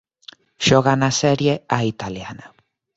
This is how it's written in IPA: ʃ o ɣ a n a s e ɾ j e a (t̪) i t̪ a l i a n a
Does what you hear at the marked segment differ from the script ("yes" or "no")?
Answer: yes